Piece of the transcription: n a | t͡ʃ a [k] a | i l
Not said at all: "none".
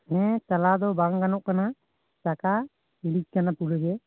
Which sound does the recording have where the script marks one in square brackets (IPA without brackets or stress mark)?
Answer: k